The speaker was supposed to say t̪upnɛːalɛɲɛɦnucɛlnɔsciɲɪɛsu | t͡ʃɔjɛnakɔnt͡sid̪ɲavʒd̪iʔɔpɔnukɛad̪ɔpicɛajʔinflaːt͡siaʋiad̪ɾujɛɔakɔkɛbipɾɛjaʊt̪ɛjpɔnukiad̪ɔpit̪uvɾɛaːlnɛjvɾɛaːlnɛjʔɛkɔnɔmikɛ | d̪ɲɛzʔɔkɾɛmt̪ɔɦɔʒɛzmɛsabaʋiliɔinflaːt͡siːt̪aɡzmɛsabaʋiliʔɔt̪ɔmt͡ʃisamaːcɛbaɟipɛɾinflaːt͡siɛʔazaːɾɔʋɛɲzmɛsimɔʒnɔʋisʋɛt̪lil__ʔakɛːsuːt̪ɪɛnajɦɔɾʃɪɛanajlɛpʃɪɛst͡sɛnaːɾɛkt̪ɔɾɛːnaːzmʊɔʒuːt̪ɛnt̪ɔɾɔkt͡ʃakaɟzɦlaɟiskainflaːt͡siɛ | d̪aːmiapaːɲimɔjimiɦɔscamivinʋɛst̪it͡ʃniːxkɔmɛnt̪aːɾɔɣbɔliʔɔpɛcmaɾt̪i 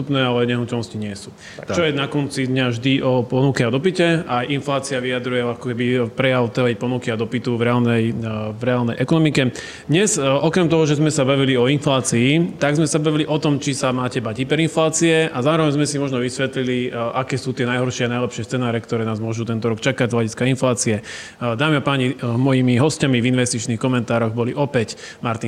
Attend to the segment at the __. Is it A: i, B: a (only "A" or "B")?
A